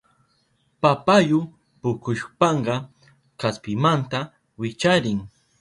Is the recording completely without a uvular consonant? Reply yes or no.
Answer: no